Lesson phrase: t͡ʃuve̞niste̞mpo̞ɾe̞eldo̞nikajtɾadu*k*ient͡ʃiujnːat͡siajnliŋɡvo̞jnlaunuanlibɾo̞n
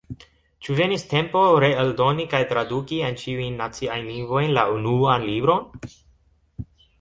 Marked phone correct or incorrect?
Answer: correct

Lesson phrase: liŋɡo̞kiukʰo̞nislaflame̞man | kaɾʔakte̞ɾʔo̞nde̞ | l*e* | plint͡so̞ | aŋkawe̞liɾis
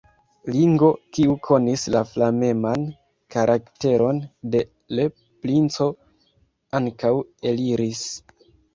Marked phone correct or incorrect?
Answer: correct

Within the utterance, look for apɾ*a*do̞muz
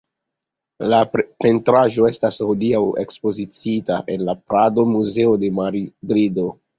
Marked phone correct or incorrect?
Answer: correct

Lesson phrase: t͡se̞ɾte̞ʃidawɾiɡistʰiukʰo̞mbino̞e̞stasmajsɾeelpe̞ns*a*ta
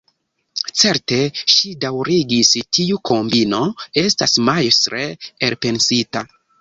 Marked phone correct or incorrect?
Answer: incorrect: i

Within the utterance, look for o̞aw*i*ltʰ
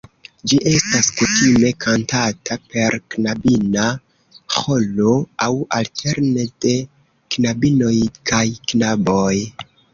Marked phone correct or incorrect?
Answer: incorrect: a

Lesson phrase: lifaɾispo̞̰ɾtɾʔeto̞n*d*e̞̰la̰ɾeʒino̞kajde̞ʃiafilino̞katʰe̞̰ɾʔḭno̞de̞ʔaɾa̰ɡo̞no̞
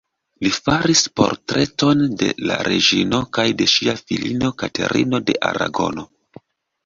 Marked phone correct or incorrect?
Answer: correct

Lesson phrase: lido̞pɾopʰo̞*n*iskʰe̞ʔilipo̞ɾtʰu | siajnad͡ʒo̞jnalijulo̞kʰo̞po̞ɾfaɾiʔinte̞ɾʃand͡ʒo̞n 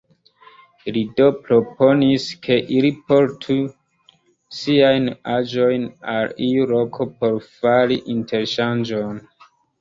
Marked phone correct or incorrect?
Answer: correct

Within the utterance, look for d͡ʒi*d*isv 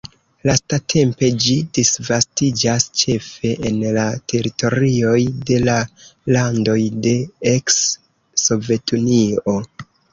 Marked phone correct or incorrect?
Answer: correct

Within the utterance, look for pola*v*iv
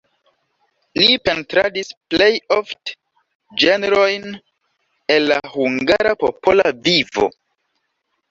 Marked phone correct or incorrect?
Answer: correct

